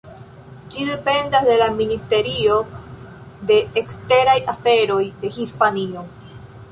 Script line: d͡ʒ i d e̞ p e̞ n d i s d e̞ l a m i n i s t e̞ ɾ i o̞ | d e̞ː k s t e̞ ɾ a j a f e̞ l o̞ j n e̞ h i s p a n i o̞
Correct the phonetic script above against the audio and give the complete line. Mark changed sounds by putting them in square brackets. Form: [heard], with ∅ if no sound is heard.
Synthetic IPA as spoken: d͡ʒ i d e̞ p e̞ n d [a] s d e̞ l a m i n i s t e̞ ɾ i o̞ | d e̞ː k s t e̞ ɾ a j a f e̞ [ɾ] o̞ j [d] e̞ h i s p a n i o̞